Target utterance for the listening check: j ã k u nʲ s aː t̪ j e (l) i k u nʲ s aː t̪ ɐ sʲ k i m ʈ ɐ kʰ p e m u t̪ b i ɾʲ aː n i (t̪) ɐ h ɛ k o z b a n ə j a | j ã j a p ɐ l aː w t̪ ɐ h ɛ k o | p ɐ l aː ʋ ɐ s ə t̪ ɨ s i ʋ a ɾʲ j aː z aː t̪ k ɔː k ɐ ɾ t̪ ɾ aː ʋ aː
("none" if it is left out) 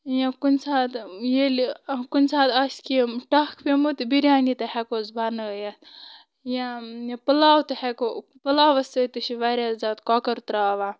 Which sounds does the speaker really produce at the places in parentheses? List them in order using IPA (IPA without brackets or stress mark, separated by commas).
l, t̪